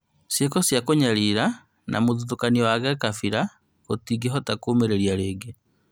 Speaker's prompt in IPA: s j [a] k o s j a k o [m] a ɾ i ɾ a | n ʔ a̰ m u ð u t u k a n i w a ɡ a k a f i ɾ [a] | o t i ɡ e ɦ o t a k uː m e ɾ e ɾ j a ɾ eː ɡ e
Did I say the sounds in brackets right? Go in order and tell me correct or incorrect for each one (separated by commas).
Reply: incorrect, incorrect, correct